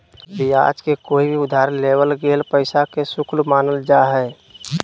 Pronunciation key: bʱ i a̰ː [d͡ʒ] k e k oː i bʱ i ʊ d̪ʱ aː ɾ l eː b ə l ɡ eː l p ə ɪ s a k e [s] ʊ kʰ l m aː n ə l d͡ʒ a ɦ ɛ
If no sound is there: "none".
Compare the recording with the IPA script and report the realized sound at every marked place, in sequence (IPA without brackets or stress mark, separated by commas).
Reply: d͡ʒ, s